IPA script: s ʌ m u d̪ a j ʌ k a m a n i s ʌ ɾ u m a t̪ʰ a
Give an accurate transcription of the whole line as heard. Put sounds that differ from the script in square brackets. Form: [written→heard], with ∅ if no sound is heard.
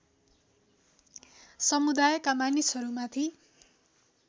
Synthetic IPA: s ʌ m u d̪ a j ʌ k a m a n i s ʌ ɾ u m a t̪ʰ [a→i]